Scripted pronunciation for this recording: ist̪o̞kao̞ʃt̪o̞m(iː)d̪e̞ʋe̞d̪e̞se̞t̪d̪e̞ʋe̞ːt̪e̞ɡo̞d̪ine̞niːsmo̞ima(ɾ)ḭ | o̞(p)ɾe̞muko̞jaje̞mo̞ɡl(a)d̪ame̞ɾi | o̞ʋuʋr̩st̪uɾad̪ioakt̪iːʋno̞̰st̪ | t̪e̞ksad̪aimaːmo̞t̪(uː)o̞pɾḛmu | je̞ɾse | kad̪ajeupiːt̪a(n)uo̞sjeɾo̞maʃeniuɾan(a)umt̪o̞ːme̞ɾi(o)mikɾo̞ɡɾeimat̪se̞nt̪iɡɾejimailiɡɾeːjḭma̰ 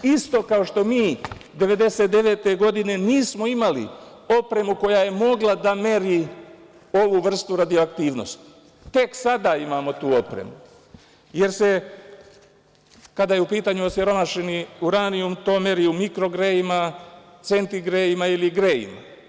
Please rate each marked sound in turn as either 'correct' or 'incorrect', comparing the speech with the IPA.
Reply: correct, incorrect: l, correct, correct, correct, incorrect: ɲ, incorrect: i, incorrect: u

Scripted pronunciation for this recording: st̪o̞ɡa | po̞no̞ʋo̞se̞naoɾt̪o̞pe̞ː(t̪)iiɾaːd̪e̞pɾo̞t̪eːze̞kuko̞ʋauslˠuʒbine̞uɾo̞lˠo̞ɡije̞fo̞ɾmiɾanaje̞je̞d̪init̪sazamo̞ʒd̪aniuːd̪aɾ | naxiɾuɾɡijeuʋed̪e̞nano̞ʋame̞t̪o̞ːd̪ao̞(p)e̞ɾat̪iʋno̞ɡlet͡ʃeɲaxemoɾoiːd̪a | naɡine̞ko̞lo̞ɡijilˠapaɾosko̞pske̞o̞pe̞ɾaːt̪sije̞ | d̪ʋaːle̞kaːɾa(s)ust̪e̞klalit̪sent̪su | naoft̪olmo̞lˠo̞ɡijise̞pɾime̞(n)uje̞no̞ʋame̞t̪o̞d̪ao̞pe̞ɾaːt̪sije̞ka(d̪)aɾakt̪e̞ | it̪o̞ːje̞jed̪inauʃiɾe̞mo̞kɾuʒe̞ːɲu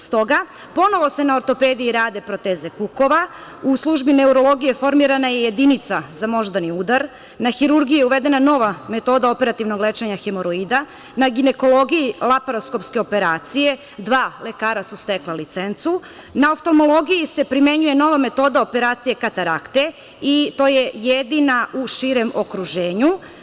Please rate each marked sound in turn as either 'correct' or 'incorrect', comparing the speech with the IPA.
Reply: incorrect: d̪, correct, correct, incorrect: ɲ, incorrect: t̪

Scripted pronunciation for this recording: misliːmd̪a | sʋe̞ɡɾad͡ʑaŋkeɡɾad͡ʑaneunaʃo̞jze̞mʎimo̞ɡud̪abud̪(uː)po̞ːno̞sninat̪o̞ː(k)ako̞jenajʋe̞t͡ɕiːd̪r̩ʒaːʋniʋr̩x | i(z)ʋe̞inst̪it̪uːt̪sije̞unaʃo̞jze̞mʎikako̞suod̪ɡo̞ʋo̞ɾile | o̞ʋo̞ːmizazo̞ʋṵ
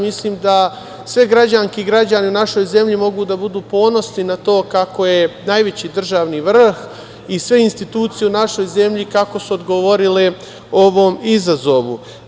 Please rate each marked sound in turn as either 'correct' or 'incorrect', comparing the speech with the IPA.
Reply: correct, correct, incorrect: s

